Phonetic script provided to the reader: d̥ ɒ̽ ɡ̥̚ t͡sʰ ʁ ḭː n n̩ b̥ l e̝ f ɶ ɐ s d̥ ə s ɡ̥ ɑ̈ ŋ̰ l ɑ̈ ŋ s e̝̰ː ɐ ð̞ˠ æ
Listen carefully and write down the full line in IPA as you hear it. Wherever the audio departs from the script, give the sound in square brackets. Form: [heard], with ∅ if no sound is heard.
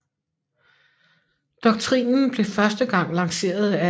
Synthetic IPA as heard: d̥ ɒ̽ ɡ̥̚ t͡sʰ ʁ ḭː n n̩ b̥ l e̝ f ɶ ɐ s d̥ ə [∅] ɡ̥ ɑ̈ ŋ̰ l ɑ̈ ŋ s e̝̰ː ɐ ð̞ˠ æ

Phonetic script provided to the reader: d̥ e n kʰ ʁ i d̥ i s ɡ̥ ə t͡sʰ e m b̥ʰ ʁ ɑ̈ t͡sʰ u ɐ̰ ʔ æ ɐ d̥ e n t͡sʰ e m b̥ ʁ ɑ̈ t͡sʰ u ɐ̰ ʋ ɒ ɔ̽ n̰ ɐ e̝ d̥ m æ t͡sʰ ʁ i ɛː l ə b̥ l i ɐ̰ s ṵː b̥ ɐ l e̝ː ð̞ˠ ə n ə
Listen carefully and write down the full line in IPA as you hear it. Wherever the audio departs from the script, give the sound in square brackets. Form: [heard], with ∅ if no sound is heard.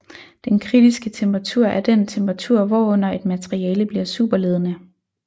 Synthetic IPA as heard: d̥ e n kʰ ʁ i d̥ i s ɡ̥ ə t͡sʰ e m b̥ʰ ʁ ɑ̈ t͡sʰ u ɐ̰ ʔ æ ɐ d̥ e n t͡sʰ e m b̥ ʁ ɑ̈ t͡sʰ u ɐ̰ ʋ ɒ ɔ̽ n̰ ɐ e̝ d̥ m æ t͡sʰ ʁ i ɛː l ə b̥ l i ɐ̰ s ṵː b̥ ɐ l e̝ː ð̞ˠ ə n ə

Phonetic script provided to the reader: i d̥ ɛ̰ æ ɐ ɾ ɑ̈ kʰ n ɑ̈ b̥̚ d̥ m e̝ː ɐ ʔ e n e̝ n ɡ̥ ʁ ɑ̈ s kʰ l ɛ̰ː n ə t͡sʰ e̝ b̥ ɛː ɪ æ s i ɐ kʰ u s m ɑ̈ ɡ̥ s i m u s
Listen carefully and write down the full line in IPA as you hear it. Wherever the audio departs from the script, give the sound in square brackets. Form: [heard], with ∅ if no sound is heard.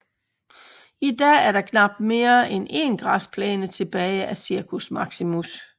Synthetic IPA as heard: i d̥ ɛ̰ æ ɐ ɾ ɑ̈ kʰ n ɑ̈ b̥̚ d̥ m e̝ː ɐ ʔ e n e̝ n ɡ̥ ʁ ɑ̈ s [pʰ] l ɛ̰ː n ə t͡sʰ e̝ b̥ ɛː ɪ æ s i ɐ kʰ u s m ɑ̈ ɡ̥ s i m u s

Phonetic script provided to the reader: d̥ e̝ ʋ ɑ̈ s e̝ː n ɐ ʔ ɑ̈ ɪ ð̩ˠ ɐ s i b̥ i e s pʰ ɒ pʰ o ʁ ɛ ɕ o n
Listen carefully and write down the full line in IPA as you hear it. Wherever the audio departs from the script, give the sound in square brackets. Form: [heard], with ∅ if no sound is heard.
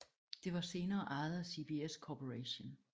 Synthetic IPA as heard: d̥ e̝ ʋ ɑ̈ s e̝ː n [ɐː] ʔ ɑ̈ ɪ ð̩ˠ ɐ s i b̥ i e s [kʰ] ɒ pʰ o ʁ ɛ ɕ o n

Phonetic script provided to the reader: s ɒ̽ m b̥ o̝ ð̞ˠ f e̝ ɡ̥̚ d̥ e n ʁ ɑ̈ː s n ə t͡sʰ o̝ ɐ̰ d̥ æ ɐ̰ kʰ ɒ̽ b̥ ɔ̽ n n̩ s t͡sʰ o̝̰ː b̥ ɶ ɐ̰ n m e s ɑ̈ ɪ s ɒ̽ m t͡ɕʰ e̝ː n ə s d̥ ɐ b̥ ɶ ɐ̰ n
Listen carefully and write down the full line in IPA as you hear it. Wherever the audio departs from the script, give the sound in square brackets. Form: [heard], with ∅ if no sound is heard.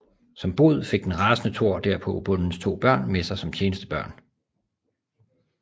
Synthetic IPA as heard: s ɒ̽ m b̥ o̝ ð̞ˠ f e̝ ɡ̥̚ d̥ e n ʁ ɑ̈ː s n ə t͡sʰ o̝ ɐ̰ d̥ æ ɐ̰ [pʰ] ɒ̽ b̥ ɔ̽ n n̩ s t͡sʰ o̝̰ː b̥ ɶ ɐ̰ n m e s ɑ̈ ɪ s ɒ̽ m t͡ɕʰ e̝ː n ə s d̥ [ə] b̥ ɶ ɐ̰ n

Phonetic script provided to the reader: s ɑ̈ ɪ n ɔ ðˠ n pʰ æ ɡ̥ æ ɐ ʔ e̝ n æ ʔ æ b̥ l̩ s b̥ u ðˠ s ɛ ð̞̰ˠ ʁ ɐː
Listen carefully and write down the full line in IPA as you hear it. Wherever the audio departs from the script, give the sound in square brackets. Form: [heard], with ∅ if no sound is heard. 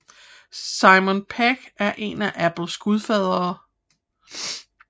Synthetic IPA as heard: s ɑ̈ ɪ [m] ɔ [∅] n pʰ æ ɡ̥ æ ɐ ʔ e̝ n æ ʔ æ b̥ l̩ s [ɡ̥] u ðˠ [f] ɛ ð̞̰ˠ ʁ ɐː

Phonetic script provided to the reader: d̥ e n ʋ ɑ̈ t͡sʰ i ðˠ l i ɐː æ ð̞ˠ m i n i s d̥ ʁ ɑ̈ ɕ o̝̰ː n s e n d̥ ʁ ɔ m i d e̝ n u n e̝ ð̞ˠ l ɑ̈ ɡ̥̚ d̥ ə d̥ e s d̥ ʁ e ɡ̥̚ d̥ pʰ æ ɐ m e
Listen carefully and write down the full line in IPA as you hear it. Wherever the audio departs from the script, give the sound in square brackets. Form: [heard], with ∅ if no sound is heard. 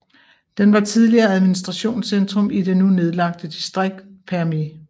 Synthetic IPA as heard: d̥ e n ʋ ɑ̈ t͡sʰ i ðˠ l i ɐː æ ð̞ˠ m i n i s d̥ ʁ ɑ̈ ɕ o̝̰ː n s e n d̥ ʁ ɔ m i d e̝ n u n e̝ ð̞ˠ l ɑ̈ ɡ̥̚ d̥ ə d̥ [i] s d̥ ʁ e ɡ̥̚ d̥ pʰ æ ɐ m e

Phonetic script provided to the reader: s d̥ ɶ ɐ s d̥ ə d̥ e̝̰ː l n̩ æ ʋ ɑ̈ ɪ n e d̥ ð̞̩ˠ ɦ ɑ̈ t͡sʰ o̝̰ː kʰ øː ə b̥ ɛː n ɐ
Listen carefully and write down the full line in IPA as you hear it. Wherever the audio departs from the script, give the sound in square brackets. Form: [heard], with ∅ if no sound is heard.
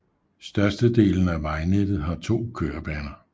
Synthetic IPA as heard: s d̥ ɶ ɐ s d̥ ə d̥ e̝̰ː l n̩ æ ʋ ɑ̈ ɪ n e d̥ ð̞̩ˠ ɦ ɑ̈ t͡sʰ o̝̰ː kʰ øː [ɐ] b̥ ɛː n ɐ

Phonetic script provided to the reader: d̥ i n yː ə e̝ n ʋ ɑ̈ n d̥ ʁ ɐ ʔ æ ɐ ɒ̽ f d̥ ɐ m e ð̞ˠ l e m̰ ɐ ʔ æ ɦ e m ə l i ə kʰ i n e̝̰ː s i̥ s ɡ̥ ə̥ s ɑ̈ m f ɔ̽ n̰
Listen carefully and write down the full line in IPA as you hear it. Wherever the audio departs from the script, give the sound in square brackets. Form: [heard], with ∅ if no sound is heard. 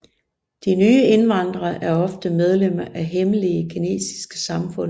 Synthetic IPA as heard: d̥ i n yː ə e̝ n ʋ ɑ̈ n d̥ ʁ ɐ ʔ æ ɐ ɒ̽ f d̥ [ə] m e ð̞ˠ l e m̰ ɐ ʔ æ ɦ e m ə l i ə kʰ i n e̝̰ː s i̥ s ɡ̥ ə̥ s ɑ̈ m f ɔ̽ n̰

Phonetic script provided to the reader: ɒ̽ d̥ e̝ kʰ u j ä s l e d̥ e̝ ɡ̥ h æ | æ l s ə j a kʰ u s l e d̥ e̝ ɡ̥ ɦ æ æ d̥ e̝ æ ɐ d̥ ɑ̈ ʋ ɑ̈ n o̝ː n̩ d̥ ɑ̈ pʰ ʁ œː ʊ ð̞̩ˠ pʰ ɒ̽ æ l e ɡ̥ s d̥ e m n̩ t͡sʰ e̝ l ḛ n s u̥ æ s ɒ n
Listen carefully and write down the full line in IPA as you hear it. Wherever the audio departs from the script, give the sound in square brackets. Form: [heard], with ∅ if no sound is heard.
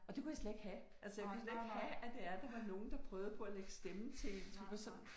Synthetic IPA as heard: ɒ̽ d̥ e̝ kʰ u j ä s l e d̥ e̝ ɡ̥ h æ | æ l s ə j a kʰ u s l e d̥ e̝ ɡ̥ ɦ æ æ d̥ e̝ æ ɐ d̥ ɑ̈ ʋ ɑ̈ n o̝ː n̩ d̥ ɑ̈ pʰ ʁ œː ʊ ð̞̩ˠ pʰ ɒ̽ æ l e ɡ̥ s d̥ e m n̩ t͡sʰ e̝ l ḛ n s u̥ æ s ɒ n

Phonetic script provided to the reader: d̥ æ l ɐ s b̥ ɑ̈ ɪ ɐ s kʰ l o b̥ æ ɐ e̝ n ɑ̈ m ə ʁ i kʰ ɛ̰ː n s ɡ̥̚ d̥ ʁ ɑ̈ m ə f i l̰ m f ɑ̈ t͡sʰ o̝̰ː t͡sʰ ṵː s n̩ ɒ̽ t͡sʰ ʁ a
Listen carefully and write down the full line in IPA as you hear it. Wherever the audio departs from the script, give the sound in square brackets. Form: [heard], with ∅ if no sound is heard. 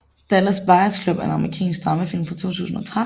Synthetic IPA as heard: d̥ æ l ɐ s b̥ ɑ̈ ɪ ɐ s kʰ l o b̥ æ ɐ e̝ n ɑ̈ m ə ʁ i kʰ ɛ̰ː n s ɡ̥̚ d̥ ʁ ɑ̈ m ə f i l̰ m f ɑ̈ t͡sʰ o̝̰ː t͡sʰ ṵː s n̩ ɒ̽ t͡sʰ ʁ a

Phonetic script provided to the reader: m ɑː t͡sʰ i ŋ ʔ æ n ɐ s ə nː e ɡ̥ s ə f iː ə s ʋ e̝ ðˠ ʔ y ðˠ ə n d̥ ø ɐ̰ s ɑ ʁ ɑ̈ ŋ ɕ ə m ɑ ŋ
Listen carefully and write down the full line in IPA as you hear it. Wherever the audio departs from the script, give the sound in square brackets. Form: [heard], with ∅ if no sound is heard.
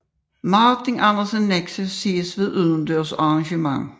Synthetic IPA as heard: m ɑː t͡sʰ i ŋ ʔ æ n ɐ s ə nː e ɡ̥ s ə [s] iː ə s ʋ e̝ ðˠ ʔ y ðˠ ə n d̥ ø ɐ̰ s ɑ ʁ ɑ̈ ŋ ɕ ə m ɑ ŋ

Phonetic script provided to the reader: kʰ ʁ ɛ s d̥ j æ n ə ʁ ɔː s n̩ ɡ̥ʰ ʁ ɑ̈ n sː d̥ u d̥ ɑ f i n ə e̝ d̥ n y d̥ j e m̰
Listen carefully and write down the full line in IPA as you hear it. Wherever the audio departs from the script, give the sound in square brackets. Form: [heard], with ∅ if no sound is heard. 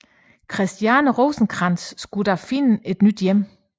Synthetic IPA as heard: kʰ ʁ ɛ s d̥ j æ n ə ʁ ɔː s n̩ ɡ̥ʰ ʁ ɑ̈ n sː [ɡ̥] u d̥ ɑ f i n ə e̝ d̥ n y d̥ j e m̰

